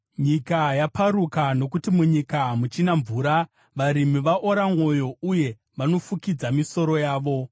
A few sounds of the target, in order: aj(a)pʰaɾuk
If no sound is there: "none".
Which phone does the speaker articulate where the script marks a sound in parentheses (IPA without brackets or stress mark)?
a